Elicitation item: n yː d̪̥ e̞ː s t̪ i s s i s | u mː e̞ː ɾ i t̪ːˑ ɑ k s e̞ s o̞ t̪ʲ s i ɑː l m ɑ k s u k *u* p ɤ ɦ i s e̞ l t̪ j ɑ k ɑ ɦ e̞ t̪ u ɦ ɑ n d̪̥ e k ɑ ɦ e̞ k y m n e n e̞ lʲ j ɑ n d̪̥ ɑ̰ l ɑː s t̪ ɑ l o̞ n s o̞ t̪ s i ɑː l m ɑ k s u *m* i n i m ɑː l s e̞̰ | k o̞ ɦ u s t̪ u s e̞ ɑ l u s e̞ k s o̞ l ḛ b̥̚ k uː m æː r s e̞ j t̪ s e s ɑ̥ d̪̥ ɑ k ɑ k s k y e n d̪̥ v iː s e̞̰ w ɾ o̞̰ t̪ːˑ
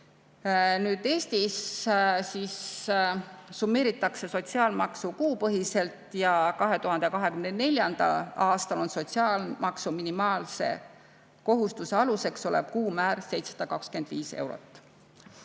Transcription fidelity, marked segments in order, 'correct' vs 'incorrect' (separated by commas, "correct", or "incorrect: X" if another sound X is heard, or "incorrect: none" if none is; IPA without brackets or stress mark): incorrect: uː, correct